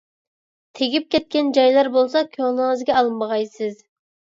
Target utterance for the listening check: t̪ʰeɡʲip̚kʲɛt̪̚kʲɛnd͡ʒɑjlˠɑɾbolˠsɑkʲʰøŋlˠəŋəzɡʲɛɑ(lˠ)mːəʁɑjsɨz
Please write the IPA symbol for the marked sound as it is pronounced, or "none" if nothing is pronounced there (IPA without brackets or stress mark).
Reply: lˠ